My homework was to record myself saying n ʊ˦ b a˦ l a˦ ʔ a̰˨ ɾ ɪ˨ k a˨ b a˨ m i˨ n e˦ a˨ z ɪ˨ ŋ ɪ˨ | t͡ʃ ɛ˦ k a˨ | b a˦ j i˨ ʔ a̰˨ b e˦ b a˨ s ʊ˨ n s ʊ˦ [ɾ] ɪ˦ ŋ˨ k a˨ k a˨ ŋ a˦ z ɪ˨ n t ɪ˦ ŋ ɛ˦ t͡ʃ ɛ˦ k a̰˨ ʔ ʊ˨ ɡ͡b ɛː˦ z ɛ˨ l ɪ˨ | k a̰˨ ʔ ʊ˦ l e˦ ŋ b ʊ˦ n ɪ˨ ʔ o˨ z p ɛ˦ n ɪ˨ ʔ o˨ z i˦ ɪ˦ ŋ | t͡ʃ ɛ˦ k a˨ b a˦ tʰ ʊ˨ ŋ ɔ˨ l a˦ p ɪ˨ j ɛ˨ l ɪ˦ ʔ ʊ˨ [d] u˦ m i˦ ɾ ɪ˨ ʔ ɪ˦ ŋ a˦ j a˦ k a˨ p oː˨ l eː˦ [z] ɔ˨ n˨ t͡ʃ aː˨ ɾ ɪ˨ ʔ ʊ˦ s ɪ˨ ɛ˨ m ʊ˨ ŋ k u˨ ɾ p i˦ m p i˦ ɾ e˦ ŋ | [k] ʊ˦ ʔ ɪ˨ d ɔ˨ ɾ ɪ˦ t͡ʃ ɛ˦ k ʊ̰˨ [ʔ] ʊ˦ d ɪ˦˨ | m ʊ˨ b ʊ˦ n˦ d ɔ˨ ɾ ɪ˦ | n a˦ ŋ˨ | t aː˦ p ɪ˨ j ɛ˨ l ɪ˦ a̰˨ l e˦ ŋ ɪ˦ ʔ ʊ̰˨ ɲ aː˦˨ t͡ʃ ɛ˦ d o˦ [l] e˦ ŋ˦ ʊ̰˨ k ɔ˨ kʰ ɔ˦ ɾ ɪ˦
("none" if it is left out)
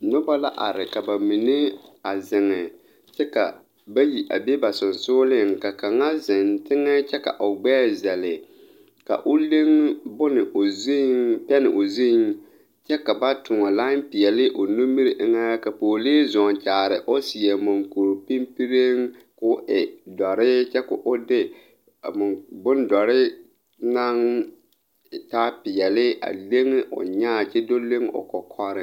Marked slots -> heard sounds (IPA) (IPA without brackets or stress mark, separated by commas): l, n, z, k, ʔ, l